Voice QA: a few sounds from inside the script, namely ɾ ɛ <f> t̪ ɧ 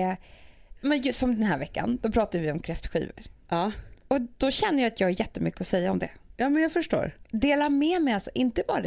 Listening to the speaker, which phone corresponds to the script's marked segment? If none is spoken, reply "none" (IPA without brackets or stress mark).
f